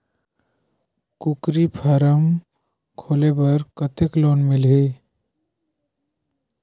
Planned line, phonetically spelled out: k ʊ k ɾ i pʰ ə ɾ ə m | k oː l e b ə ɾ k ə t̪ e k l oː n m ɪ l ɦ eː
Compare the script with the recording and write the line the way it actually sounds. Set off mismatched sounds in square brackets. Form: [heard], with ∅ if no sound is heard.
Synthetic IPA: k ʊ k ɾ i pʰ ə ɾ ə m | [kʰ] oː l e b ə ɾ k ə t̪ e k l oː n m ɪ l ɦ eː